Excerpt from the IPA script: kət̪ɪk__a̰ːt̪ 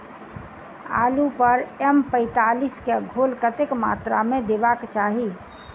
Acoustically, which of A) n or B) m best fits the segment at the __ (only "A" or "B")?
B